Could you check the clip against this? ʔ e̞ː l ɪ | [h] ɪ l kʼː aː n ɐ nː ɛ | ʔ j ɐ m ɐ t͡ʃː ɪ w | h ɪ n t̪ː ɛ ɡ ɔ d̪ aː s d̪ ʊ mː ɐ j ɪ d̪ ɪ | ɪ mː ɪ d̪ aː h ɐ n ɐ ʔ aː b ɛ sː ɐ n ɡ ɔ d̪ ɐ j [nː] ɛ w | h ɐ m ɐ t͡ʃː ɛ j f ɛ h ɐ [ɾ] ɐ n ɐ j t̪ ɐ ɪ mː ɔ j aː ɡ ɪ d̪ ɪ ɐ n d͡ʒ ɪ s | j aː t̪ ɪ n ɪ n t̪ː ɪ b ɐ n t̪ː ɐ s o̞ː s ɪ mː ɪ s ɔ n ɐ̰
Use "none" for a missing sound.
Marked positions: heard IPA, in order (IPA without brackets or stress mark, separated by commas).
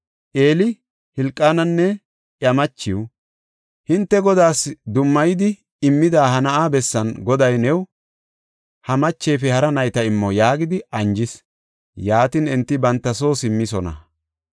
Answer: h, n, ɾ